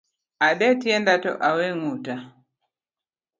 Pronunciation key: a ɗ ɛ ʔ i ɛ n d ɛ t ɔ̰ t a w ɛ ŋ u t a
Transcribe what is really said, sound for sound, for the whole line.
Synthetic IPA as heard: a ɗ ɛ t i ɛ n d a t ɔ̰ ʔ a w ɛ ŋ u t a